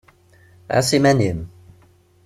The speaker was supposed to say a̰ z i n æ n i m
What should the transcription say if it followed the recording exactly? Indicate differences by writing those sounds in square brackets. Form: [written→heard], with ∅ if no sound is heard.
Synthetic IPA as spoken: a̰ [z→s] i [n→m] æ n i m